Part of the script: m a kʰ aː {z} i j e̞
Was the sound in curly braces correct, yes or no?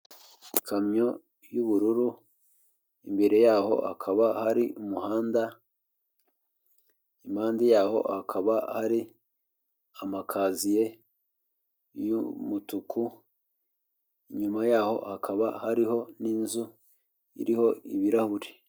yes